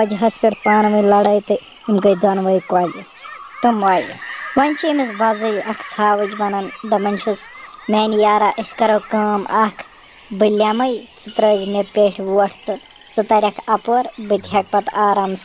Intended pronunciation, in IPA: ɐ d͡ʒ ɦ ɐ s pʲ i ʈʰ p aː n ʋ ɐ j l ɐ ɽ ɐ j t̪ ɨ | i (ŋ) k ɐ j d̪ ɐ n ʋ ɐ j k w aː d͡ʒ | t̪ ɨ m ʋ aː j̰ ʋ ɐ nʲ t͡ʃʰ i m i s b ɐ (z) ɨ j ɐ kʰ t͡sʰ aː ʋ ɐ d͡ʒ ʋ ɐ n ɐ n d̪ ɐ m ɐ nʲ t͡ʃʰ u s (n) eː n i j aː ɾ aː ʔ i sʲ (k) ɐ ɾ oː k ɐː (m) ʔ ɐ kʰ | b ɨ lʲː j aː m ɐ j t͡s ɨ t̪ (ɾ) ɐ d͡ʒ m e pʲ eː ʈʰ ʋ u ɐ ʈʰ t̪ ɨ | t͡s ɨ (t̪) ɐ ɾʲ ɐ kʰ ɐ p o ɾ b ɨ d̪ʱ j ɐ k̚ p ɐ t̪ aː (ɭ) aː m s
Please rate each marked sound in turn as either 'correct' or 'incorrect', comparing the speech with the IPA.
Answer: incorrect, correct, incorrect, correct, correct, correct, correct, incorrect

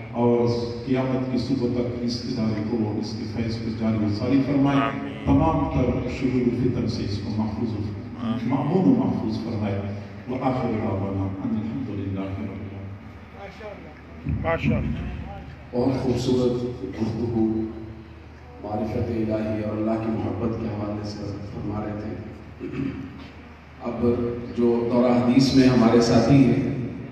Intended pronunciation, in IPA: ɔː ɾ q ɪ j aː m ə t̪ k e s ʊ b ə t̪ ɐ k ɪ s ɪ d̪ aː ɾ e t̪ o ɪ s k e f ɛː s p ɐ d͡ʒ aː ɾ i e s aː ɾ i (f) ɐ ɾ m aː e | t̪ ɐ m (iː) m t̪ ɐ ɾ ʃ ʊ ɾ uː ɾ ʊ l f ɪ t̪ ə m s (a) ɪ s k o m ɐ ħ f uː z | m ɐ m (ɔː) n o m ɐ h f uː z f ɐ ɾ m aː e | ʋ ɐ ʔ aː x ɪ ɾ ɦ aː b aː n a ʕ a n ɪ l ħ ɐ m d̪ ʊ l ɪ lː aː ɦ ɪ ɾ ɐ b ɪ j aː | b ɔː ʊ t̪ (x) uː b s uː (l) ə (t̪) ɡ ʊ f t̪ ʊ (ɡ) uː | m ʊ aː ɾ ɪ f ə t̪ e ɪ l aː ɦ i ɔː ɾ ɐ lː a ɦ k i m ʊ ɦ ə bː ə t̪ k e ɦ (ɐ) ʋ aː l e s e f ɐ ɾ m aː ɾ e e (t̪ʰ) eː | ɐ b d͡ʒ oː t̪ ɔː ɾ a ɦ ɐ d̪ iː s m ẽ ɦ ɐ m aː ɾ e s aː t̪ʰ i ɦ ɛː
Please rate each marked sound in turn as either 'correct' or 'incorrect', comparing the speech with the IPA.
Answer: correct, incorrect, incorrect, incorrect, correct, incorrect, correct, correct, correct, correct

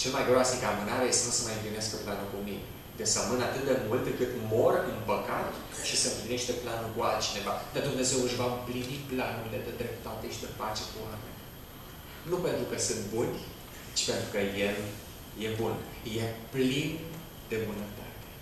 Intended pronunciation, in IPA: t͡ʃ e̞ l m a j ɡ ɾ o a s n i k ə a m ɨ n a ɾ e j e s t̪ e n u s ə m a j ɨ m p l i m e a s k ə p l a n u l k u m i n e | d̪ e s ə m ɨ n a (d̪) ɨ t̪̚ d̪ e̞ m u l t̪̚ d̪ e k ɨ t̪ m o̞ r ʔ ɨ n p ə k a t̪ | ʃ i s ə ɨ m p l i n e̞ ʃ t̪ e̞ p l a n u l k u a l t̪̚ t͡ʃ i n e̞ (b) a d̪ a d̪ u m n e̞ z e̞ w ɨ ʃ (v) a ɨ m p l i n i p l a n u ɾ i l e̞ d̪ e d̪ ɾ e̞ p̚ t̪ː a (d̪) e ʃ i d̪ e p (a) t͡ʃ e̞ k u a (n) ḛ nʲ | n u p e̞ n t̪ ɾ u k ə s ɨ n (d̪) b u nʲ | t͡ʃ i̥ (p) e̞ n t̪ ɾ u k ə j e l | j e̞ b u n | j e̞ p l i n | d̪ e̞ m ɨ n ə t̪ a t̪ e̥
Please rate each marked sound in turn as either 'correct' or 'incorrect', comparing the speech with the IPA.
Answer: incorrect, incorrect, correct, incorrect, correct, incorrect, incorrect, correct

